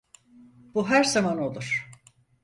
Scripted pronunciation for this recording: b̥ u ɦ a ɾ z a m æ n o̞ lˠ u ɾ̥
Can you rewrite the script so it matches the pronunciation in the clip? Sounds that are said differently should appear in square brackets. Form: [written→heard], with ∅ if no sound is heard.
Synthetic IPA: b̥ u ɦ [a→æ] ɾ z a m [æ→a] n o̞ lˠ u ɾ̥